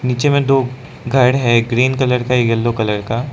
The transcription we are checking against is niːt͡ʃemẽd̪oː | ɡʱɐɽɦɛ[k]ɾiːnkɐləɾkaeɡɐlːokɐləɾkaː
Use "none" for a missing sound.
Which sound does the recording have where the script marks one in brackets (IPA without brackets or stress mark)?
ɡ